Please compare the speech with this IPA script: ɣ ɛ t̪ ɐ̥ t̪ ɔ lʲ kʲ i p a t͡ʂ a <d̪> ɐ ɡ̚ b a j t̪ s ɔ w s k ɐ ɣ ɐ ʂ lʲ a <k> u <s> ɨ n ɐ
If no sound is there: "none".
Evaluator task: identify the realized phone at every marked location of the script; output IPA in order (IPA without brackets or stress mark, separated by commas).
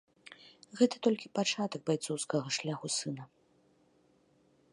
t̪, x, s